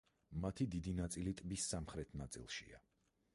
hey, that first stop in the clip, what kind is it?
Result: aspirated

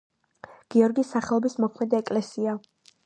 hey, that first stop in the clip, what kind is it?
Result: plain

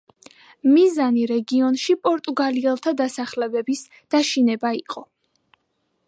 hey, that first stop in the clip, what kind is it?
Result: plain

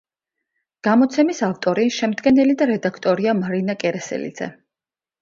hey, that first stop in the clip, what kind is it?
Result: plain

